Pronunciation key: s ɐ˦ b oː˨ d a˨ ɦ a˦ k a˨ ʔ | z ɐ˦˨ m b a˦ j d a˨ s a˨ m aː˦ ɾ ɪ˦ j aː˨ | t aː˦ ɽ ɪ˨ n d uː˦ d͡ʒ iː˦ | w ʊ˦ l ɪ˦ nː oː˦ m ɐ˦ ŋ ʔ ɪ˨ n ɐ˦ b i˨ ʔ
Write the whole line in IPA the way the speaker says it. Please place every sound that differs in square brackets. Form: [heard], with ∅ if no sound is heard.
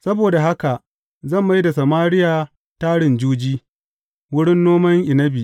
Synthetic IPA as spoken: s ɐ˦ b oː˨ d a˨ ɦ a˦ k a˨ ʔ | z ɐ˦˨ m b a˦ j d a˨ s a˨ m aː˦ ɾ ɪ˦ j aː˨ | t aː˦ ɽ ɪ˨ n [d͡ʒ] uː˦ d͡ʒ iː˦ | w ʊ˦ [ɽ] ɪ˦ nː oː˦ m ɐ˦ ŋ ʔ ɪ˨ n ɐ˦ b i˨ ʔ